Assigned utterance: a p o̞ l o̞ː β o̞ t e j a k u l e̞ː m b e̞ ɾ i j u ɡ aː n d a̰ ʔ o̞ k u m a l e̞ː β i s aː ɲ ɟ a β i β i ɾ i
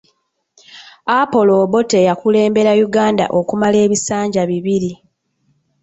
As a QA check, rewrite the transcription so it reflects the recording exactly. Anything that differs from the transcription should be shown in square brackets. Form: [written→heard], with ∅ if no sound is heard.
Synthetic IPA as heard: a p o̞ l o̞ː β o̞ t e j a k u l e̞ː m b e̞ ɾ [i→a] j u ɡ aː n d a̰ ʔ o̞ k u m a l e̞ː β i s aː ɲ ɟ a β i β i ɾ i